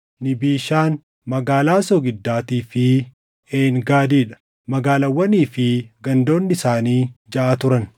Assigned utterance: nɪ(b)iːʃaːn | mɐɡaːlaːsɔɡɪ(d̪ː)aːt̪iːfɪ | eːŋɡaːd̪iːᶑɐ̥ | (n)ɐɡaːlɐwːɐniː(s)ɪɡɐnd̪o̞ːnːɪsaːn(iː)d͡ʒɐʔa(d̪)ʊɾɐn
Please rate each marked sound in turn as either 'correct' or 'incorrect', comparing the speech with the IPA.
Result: correct, correct, incorrect: m, incorrect: f, correct, incorrect: t̪

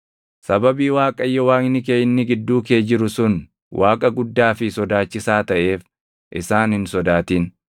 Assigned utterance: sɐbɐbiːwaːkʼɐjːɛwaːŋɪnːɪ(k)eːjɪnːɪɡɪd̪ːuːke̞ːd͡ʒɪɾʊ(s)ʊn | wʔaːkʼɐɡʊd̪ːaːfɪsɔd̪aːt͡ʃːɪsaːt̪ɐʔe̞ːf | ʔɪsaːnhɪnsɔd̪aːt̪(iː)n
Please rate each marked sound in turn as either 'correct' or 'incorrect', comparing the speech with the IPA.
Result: correct, correct, correct

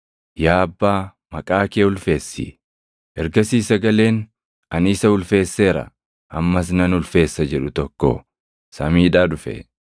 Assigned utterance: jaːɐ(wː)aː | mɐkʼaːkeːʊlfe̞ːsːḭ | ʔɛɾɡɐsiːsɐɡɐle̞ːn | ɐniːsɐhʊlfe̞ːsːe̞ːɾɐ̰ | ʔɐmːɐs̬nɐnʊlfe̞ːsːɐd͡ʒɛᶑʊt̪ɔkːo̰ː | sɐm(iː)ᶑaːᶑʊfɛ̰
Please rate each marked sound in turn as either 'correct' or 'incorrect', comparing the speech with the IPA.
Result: incorrect: bː, correct

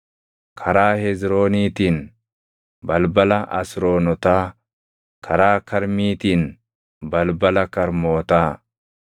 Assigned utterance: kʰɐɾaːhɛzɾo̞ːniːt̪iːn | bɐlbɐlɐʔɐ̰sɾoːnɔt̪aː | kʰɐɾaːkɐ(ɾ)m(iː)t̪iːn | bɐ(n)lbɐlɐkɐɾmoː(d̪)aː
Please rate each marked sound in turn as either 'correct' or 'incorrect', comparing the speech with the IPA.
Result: correct, correct, incorrect: none, incorrect: t̪

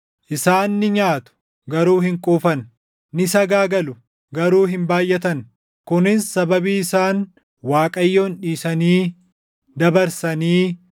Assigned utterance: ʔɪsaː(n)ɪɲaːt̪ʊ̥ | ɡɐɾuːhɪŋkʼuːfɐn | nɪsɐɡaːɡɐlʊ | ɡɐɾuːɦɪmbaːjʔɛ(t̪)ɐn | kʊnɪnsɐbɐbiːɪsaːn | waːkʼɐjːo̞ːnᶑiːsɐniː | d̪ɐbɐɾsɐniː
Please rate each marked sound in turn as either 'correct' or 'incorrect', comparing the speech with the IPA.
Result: incorrect: nː, correct

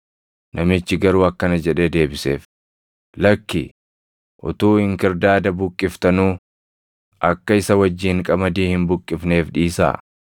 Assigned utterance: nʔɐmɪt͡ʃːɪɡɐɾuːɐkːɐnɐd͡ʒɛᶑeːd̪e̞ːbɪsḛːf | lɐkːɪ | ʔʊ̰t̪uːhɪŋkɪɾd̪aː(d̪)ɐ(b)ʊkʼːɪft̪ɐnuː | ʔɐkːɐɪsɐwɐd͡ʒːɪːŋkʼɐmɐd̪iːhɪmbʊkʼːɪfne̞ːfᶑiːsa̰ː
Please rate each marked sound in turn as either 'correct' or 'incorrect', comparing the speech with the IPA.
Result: correct, correct

